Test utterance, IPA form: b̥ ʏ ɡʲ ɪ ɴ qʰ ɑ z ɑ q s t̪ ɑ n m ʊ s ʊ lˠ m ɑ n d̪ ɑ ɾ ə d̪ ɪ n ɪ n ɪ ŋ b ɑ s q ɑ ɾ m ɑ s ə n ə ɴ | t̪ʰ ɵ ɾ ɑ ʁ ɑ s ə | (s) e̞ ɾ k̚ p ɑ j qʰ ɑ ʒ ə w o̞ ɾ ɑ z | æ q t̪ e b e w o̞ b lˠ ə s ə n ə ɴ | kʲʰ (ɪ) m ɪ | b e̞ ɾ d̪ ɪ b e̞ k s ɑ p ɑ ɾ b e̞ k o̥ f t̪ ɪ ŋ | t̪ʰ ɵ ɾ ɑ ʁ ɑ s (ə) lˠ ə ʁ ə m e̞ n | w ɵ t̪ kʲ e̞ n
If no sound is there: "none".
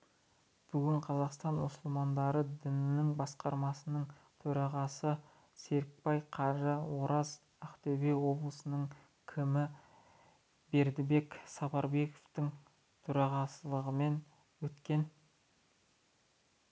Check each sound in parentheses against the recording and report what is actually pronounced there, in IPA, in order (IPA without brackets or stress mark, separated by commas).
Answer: s, ɪ, ə